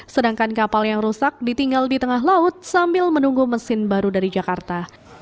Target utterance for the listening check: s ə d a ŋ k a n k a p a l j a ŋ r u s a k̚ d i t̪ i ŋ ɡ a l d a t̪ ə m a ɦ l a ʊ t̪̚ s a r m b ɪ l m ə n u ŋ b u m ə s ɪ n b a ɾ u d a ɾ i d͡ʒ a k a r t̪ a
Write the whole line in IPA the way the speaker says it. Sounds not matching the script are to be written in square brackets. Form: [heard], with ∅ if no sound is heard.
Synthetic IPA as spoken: s ə d a ŋ k a n k a p a l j a ŋ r u s a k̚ d i t̪ i ŋ ɡ a l d [i] t̪ ə [ŋ] a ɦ l a ʊ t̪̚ s a [∅] m b ɪ l m ə n u ŋ [ɡ] u m ə s ɪ n b a ɾ u d a ɾ i d͡ʒ a k a r t̪ a

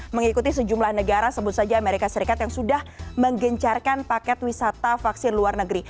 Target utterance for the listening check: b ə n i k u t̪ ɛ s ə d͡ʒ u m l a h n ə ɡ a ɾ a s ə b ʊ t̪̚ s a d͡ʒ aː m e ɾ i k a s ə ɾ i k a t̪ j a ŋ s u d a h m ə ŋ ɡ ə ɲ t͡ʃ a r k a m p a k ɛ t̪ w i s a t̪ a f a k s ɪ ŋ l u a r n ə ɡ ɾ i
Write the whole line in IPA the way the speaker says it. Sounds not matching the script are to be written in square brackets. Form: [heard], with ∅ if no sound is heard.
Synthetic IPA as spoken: [m] ə [ŋ] i k u t̪ [i] s ə d͡ʒ u m l a h n ə ɡ a ɾ a s ə b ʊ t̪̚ s a d͡ʒ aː m e ɾ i k a s ə ɾ i k a t̪ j a ŋ s u d a h m ə ŋ ɡ ə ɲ t͡ʃ a r k a [n] p a k ɛ t̪ w i s a t̪ a f a k s ɪ [n] l u a r n ə ɡ ɾ i

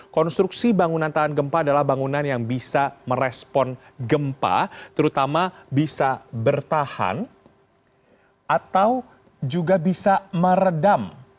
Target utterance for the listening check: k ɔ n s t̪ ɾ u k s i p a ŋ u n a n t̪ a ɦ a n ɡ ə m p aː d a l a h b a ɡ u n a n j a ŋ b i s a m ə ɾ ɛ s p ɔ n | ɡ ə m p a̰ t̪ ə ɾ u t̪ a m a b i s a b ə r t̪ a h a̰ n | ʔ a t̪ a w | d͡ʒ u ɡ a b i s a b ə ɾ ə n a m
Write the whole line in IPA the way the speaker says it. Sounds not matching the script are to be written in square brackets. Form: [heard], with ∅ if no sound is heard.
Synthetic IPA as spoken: k ɔ n s t̪ ɾ u k s i [b] a ŋ u n a n t̪ a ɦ a n ɡ ə m p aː d a l a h b a [ŋ] u n a n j a ŋ b i s a m ə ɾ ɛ s p ɔ n | ɡ ə m p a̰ t̪ ə ɾ u t̪ a m a b i s a b ə r t̪ a h a̰ n | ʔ a t̪ a w | d͡ʒ u ɡ a b i s a [m] ə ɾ ə [d] a m

